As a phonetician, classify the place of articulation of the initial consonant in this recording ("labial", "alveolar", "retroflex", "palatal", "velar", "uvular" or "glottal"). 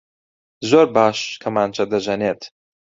alveolar